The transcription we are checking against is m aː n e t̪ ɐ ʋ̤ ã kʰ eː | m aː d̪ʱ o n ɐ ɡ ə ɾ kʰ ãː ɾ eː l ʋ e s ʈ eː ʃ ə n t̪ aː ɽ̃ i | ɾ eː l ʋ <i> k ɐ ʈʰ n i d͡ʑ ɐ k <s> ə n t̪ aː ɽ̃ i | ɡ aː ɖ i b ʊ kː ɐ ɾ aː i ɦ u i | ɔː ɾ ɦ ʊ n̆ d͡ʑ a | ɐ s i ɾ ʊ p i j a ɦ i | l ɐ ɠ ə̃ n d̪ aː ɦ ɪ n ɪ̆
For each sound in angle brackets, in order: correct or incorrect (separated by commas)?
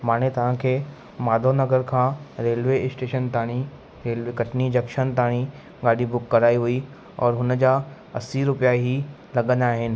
incorrect, incorrect